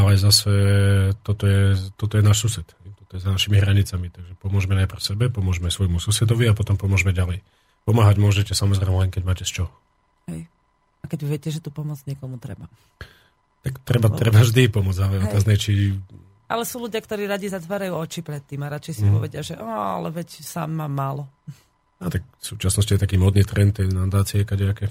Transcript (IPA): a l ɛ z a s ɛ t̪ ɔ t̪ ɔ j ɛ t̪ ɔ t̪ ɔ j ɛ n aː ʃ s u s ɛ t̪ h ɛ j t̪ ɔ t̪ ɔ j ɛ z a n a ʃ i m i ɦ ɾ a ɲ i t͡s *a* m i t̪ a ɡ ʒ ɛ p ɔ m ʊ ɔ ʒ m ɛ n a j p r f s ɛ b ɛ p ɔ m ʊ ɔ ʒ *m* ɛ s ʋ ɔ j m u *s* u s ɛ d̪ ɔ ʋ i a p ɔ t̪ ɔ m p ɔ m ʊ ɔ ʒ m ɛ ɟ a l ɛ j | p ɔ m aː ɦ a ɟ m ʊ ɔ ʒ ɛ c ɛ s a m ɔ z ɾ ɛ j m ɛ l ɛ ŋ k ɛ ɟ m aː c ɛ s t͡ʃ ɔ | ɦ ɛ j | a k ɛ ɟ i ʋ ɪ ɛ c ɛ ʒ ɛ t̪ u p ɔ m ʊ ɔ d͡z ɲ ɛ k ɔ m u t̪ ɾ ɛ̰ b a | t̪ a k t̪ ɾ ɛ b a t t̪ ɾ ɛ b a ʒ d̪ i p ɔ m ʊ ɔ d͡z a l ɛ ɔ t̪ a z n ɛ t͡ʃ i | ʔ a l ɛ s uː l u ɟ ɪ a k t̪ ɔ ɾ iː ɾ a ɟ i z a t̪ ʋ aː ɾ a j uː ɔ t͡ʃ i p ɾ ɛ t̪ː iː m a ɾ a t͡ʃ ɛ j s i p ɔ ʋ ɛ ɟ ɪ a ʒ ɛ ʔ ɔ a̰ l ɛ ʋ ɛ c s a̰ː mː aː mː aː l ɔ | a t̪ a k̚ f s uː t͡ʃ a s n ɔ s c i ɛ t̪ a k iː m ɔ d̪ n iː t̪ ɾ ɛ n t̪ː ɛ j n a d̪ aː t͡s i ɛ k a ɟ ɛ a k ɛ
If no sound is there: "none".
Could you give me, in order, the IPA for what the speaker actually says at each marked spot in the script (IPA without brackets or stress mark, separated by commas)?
a, m, s